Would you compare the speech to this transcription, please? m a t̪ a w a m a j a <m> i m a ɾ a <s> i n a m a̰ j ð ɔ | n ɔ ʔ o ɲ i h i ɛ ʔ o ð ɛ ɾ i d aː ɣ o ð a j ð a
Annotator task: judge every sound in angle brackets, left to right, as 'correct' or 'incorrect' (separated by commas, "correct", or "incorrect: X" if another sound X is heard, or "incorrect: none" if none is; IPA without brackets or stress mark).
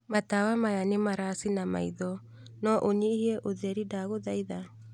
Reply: incorrect: n, correct